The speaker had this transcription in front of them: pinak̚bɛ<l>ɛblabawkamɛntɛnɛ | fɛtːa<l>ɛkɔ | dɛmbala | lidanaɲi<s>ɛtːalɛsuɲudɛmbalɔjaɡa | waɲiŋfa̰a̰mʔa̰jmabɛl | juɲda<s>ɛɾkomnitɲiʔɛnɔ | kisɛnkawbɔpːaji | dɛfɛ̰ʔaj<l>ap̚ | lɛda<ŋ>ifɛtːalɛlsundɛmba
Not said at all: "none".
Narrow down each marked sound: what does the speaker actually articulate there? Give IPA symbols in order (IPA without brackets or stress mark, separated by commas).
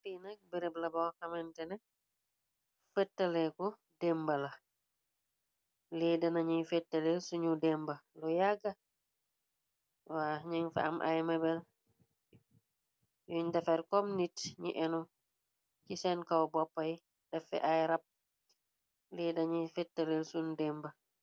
ɾ, l, f, f, ɾ, ɲ